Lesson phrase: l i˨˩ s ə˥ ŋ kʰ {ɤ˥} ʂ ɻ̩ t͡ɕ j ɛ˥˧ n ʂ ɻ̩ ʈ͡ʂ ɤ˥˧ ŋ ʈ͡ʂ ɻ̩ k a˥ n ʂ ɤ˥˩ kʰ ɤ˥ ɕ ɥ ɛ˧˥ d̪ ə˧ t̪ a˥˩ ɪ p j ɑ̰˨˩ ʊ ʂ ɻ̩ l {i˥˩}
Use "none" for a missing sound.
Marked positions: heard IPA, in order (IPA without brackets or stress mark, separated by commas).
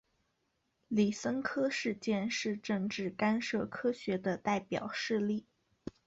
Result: ɤ˥, i˥˩